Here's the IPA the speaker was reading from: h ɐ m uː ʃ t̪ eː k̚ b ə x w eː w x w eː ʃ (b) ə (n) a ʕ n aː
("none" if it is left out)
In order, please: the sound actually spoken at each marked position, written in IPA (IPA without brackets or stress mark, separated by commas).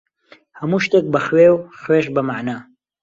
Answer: b, m